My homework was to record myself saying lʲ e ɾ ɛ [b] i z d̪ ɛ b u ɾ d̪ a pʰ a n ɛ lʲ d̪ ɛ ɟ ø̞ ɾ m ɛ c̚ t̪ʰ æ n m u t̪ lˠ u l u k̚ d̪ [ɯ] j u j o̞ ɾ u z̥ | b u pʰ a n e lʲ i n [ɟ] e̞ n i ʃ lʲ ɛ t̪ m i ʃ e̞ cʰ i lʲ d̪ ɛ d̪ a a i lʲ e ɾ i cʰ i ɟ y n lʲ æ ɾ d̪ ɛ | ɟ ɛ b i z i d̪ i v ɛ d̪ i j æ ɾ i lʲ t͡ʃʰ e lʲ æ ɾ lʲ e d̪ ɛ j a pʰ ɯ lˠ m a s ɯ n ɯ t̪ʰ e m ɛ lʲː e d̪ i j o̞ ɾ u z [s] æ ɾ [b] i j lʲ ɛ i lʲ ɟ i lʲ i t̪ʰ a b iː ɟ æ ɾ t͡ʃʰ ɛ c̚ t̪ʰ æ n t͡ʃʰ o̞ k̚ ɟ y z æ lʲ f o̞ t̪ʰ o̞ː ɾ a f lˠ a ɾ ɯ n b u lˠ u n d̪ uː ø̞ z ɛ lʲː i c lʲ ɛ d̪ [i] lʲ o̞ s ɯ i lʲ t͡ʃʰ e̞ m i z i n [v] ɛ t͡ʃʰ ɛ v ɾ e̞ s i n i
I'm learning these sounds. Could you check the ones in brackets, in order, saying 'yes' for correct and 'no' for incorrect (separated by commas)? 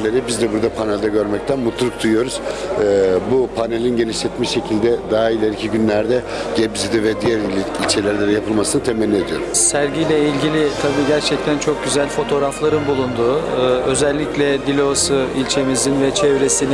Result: yes, no, yes, yes, no, yes, yes